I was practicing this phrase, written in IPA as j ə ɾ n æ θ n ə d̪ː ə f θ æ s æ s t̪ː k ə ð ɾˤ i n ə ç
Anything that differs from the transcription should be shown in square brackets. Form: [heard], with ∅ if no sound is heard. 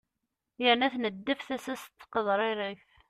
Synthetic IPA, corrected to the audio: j ə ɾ n æ θ n ə d̪ː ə f θ æ s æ s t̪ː [q] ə ð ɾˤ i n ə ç